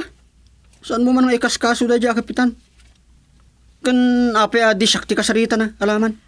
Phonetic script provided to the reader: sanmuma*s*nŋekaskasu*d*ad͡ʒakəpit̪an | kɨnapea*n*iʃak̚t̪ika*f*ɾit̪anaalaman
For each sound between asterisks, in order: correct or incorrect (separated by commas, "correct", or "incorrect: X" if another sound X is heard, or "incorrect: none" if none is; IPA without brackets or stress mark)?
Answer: incorrect: none, correct, incorrect: d, incorrect: s